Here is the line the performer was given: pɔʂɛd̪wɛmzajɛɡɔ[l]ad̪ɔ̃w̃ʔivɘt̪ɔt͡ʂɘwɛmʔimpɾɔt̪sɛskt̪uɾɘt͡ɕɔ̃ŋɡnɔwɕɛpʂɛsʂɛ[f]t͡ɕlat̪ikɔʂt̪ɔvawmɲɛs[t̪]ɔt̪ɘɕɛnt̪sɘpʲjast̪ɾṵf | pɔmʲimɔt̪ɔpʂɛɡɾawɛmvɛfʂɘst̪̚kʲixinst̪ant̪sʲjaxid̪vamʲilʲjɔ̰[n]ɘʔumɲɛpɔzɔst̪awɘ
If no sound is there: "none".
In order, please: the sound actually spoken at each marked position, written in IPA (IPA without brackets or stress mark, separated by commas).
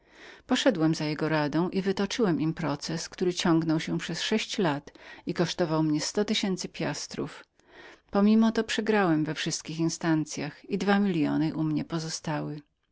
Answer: ɾ, ɕ, t̪, n